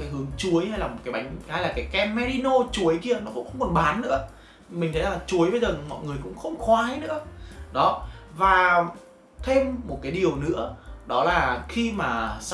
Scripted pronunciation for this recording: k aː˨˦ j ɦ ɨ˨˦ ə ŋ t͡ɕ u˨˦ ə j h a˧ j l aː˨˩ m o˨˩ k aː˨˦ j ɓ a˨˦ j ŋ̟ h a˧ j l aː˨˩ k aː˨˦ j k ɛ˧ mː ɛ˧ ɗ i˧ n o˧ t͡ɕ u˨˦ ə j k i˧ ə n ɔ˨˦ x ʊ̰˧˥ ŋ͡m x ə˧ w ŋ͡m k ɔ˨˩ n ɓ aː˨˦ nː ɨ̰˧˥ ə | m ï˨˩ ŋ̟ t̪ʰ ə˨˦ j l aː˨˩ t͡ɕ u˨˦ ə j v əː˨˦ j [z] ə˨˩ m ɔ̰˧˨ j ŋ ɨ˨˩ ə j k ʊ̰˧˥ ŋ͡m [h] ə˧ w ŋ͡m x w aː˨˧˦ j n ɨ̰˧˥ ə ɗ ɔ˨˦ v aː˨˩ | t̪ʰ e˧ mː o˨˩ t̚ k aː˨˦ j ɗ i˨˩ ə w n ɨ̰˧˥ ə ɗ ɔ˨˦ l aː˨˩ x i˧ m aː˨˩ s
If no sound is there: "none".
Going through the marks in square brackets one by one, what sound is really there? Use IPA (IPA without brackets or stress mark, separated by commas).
z, x